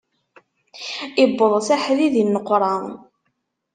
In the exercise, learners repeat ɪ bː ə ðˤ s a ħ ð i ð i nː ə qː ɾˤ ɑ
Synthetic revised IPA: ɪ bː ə ðˤ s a ħ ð i ð i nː ə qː ɾˤ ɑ